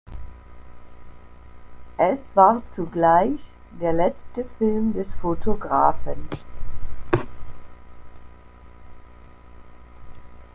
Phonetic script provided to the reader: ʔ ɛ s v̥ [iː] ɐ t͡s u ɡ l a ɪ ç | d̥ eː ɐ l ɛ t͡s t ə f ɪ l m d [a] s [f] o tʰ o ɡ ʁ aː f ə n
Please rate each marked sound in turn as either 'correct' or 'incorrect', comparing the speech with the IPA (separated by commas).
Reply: incorrect, incorrect, correct